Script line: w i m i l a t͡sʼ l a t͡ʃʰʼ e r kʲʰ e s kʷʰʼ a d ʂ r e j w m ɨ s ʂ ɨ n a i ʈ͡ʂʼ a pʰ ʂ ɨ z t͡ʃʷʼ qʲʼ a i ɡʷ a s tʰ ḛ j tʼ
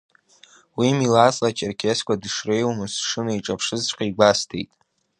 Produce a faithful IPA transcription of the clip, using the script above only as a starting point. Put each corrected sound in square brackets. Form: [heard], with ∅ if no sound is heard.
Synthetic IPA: w i m i l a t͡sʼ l a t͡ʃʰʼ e r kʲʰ e s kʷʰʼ a d ʂ r e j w m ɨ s ʂ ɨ n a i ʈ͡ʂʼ a pʰ ʂ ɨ z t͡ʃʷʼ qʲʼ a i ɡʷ a s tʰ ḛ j tʼ